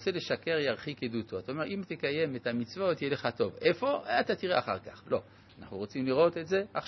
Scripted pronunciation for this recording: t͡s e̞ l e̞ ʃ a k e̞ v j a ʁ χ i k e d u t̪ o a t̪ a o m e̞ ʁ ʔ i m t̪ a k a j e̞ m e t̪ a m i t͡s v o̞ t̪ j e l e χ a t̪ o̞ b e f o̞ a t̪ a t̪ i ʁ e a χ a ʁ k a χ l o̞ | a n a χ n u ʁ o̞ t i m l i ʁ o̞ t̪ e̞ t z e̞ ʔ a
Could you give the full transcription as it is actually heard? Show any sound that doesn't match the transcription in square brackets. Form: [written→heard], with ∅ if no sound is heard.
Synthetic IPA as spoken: t͡s e̞ l e̞ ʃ a k e̞ [v→ʁ] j a ʁ χ i k e d u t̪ o a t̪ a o m e̞ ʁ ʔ i m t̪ [a→e] k a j e̞ m e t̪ a m i t͡s v o̞ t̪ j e l e χ a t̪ o̞ [b→v] e f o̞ a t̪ a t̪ i ʁ e a χ a ʁ k a χ l o̞ | a n a χ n u ʁ o̞ [t→t͡s] i m l i ʁ o̞ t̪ e̞ t z e̞ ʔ a